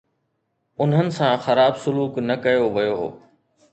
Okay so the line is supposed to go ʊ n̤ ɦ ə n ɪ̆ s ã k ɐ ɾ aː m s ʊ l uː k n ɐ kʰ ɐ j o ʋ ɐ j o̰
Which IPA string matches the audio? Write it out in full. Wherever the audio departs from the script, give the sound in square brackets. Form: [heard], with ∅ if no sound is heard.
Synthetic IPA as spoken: ʊ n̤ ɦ ə n ɪ̆ s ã [x] ɐ ɾ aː [b] s ʊ l uː k n ɐ [k] ɐ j o ʋ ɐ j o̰

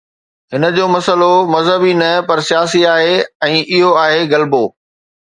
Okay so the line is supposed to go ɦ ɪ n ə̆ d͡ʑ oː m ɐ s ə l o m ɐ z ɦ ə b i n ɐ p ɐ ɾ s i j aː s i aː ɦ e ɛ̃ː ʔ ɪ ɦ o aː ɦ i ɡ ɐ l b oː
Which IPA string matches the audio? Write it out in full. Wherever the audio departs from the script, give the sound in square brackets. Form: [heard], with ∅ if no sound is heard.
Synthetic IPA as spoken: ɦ ɪ n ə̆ d͡ʑ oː m ɐ s ə l o m ɐ z ɦ ə b i n ɐ p ɐ ɾ s i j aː s i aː ɦ e ɛ̃ː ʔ ɪ ɦ o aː ɦ [e] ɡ ɐ l b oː

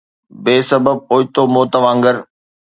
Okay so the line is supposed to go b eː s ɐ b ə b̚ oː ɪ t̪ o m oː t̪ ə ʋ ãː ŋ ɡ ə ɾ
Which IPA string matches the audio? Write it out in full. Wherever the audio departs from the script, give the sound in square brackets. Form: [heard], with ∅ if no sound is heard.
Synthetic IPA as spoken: b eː s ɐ b ə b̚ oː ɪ t̪ o m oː t̪ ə ʋ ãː ŋ ɡ ə ɾ

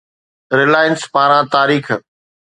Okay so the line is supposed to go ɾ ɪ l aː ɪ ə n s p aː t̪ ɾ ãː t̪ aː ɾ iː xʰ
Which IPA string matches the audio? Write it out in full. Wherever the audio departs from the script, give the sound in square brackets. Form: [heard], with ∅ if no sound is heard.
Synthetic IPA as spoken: ɾ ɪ l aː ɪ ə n s p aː [∅] ɾ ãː t̪ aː ɾ iː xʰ

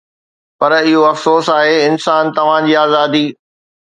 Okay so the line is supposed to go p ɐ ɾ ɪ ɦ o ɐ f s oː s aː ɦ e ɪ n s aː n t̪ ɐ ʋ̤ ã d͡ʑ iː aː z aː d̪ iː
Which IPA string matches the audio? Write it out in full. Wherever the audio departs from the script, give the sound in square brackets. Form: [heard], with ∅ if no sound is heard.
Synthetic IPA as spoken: p ɐ ɾ ɪ ɦ o ɐ f s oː s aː ɦ e ɪ n s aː n t̪ ɐ ʋ̤ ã d͡ʑ iː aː z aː d̪ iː

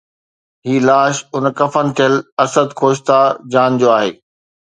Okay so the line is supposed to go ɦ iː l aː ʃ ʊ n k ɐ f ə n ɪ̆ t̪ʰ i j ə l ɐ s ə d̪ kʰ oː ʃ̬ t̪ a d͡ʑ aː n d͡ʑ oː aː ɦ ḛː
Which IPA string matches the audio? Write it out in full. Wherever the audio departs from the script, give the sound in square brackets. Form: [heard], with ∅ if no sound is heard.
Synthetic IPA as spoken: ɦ iː l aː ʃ ʊ n k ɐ f ə n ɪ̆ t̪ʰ i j ə l ɐ s ə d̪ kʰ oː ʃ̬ t̪ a d͡ʑ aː n d͡ʑ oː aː ɦ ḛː

